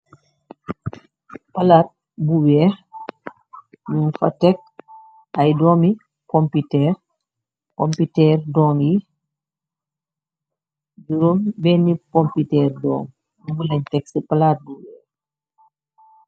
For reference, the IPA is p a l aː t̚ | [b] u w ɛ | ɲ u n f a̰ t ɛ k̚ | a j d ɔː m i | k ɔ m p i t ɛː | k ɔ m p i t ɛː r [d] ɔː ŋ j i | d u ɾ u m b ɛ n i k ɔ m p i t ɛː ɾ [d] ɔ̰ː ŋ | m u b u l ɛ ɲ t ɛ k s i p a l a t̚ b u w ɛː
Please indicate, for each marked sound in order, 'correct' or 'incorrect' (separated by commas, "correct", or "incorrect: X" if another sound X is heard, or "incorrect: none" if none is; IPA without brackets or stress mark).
correct, correct, correct